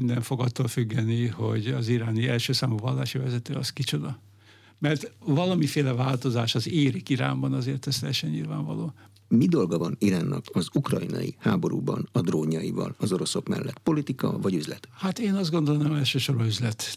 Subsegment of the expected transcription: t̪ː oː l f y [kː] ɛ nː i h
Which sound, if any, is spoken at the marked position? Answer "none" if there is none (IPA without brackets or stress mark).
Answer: ɡː